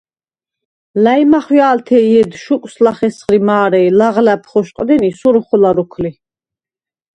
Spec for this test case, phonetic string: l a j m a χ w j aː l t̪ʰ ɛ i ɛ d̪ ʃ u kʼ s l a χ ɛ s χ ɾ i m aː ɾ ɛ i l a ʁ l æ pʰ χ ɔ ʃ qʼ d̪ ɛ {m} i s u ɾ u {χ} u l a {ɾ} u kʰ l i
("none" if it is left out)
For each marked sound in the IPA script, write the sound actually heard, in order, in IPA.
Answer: n, χ, ɾ

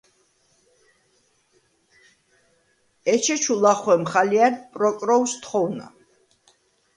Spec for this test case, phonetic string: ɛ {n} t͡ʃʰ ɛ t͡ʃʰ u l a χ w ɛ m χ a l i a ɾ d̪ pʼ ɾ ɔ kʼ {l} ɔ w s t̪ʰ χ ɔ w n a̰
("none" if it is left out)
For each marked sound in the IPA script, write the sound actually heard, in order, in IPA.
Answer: none, ɾ

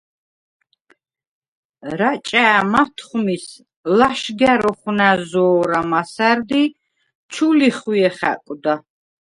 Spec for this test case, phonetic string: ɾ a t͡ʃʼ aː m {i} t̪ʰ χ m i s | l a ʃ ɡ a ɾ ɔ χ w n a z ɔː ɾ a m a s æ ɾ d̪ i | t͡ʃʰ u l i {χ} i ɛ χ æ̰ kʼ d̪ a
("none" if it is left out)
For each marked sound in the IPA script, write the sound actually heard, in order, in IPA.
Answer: a, χ

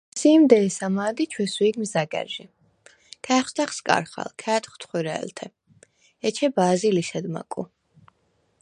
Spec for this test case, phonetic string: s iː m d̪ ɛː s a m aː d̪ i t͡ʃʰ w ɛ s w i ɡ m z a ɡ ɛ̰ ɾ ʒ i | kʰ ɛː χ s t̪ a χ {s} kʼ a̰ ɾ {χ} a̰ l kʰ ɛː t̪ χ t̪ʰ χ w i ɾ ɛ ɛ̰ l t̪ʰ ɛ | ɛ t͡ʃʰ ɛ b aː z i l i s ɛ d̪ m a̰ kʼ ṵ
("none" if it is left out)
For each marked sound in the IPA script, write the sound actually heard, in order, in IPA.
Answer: s, χ

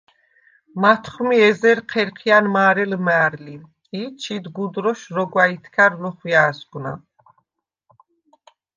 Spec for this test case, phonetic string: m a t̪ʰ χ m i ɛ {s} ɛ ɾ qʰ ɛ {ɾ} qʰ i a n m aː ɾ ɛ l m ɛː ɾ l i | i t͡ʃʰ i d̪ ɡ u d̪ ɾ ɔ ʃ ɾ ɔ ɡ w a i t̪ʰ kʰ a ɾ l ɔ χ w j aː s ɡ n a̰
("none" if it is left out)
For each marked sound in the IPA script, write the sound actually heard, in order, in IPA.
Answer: z, ɾ

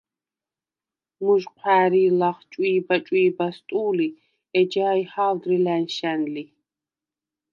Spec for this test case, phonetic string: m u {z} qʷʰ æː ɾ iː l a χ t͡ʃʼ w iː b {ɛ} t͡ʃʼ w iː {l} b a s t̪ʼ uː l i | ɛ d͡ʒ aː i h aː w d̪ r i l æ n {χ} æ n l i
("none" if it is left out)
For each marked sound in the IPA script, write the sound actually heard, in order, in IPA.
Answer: ʒ, a, none, ʃ

